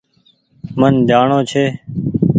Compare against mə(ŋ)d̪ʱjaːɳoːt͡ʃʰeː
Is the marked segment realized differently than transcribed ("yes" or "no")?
yes